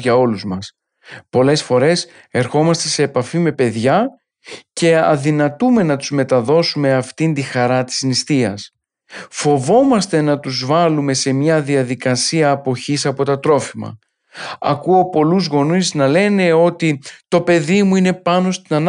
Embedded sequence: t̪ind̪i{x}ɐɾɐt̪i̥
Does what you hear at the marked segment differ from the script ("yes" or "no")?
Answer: no